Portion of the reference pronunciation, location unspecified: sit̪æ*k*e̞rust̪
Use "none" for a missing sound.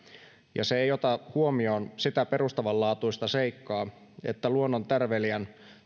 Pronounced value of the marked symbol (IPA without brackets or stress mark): p